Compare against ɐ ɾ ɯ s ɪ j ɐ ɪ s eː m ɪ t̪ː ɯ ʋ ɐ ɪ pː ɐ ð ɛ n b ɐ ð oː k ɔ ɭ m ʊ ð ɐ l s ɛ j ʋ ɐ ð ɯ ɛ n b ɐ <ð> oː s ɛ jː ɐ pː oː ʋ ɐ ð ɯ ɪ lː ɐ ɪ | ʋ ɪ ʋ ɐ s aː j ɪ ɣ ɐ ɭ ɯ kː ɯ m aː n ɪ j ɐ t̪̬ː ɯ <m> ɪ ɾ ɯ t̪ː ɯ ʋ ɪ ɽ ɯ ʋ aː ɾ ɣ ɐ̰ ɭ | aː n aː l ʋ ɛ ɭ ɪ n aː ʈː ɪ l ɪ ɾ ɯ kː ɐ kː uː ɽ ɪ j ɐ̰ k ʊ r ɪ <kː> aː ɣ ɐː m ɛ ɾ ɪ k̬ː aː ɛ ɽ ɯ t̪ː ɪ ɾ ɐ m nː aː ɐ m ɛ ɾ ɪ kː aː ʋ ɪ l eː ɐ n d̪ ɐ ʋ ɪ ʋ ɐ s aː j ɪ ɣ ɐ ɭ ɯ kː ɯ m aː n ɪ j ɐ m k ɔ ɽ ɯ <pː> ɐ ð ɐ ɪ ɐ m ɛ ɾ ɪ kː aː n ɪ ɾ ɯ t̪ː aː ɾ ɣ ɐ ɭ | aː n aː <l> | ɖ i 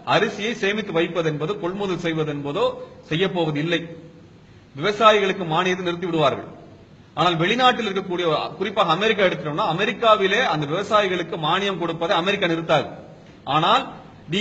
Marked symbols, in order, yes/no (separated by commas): yes, no, no, yes, yes